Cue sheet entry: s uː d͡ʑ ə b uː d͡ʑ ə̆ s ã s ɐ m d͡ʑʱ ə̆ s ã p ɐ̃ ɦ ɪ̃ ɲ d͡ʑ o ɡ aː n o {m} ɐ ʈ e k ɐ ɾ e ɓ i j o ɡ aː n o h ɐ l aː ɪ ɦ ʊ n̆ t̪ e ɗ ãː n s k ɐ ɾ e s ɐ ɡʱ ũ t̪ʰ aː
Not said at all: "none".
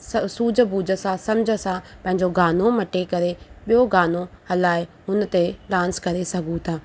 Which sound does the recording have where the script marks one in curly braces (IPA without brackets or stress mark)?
m